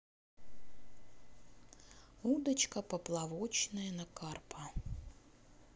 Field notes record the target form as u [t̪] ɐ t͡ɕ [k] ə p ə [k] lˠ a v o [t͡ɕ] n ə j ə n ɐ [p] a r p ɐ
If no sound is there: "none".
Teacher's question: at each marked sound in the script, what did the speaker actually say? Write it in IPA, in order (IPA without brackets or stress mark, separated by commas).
d̪, k, p, t͡ɕ, k